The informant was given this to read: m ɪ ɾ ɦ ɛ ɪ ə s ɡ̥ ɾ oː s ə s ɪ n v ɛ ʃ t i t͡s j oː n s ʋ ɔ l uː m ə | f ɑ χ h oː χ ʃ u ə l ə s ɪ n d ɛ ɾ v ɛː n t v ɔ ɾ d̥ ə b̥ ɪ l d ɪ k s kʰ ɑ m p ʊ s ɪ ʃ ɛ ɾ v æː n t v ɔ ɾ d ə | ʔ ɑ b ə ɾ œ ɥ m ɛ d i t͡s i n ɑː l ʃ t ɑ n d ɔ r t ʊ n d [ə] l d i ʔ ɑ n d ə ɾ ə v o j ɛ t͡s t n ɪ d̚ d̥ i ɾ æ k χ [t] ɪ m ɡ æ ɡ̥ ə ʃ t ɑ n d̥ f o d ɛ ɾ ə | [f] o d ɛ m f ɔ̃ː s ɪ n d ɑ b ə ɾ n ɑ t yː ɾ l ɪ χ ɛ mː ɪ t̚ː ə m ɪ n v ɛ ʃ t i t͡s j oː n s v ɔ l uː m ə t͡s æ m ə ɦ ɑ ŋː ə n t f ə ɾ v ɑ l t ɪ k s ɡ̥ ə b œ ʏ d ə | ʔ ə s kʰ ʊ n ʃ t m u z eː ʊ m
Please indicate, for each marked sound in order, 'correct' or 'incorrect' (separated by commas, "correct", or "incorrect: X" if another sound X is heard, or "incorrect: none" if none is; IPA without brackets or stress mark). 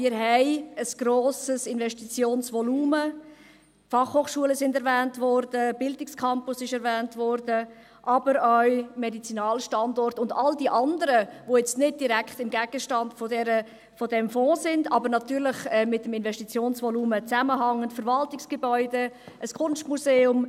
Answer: incorrect: ɑ, correct, correct